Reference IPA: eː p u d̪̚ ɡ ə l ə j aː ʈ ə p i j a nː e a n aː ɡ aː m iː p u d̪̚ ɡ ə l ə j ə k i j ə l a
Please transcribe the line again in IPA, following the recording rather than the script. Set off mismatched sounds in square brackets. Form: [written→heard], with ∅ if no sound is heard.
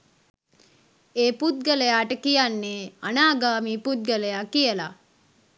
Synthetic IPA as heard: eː p u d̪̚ ɡ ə l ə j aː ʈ ə [p→k] i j a nː e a n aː ɡ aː m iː p u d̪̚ ɡ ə l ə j [ə→a] k i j ə l a